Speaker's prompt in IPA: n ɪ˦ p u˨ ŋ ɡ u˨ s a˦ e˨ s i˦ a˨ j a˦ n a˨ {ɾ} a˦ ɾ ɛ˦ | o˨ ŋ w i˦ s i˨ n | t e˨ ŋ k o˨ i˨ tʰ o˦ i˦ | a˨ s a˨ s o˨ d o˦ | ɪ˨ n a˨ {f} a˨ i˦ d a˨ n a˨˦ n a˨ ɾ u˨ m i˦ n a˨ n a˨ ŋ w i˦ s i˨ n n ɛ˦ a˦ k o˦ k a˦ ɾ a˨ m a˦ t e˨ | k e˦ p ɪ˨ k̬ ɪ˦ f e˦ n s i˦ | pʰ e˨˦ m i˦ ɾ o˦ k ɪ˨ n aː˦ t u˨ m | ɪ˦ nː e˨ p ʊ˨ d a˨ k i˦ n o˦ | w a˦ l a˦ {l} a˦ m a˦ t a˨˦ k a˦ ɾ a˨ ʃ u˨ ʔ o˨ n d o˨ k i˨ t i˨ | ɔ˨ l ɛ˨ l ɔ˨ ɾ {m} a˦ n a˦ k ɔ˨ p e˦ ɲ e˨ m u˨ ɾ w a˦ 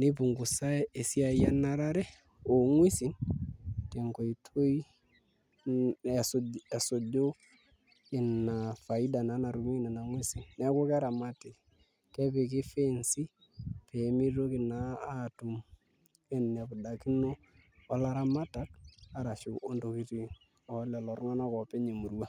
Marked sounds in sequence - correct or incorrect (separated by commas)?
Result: correct, correct, incorrect, incorrect